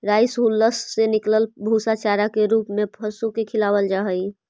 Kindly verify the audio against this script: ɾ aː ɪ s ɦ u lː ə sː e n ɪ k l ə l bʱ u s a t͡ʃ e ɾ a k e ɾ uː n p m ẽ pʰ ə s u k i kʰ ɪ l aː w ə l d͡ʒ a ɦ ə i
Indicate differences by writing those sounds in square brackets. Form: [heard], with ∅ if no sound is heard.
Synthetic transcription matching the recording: ɾ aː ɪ s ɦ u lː ə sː e n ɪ k l ə l bʱ u s a t͡ʃ [a] ɾ a k e ɾ uː [∅] p m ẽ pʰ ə s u k [e] kʰ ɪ l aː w ə l d͡ʒ a ɦ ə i